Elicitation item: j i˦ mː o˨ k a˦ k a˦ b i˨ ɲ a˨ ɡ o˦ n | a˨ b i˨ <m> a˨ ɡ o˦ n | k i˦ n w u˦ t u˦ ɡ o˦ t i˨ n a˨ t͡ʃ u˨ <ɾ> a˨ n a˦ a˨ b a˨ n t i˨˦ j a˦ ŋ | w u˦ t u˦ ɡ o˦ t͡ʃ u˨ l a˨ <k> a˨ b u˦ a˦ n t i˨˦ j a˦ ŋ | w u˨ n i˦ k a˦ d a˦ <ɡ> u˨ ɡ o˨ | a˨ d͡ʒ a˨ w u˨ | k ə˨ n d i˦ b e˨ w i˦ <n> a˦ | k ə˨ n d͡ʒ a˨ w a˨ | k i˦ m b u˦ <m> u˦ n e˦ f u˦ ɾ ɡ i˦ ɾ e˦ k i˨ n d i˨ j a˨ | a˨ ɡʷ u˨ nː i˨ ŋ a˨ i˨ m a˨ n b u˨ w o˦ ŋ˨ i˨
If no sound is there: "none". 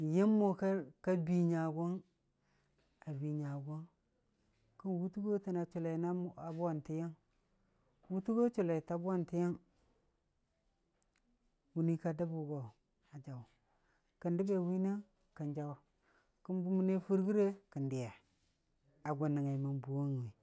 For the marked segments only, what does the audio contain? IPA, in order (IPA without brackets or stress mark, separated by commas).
ɲ, l, t, b, n, m